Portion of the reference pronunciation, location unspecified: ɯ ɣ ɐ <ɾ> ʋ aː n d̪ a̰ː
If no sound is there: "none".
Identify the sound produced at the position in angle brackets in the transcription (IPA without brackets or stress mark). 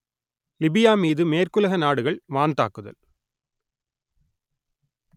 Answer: ɭ